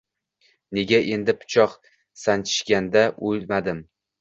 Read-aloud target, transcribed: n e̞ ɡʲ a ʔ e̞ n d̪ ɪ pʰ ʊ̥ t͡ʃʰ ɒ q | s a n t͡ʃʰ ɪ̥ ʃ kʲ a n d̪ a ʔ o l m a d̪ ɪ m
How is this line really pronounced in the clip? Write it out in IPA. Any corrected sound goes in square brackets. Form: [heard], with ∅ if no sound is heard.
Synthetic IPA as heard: n e̞ ɡʲ a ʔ e̞ n d̪ ɪ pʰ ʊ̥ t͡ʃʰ ɒ q | s a n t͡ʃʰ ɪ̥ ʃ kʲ a n d̪ a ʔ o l m a d̪ ɪ m